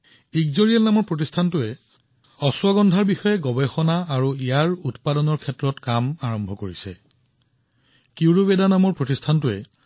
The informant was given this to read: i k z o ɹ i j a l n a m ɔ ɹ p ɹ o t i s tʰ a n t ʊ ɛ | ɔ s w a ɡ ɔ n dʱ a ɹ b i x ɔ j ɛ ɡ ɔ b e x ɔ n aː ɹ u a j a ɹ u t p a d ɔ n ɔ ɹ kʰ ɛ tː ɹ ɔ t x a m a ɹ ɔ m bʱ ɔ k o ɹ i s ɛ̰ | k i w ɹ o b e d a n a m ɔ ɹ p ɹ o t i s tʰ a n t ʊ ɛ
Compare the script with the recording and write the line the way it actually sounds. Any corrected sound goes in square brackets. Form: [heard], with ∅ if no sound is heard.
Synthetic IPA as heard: i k z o ɹ i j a l n a m ɔ ɹ p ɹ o t i s tʰ a n t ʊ ɛ | ɔ s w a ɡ ɔ n dʱ a ɹ b i x ɔ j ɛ ɡ ɔ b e x ɔ n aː ɹ u [i] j a ɹ u t p a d ɔ n ɔ ɹ kʰ ɛ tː ɹ ɔ t [k] a m a ɹ ɔ m bʱ ɔ k o ɹ i s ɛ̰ | k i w ɹ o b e d a n a m ɔ ɹ p ɹ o t i s tʰ a n t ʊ ɛ